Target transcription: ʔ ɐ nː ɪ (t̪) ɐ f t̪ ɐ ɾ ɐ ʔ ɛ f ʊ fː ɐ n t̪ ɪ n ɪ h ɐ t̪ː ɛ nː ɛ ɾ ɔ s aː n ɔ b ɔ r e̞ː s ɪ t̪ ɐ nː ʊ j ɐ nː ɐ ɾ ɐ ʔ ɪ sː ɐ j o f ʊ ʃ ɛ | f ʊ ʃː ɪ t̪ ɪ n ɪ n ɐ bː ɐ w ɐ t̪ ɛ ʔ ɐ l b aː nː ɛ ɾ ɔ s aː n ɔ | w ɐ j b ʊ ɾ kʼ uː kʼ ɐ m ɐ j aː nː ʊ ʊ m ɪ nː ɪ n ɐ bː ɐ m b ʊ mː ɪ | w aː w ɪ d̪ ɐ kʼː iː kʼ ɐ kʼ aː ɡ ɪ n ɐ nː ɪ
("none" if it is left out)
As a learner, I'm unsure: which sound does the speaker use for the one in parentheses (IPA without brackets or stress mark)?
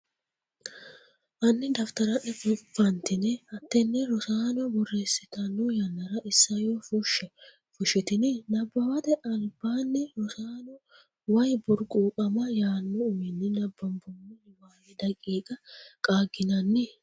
d̪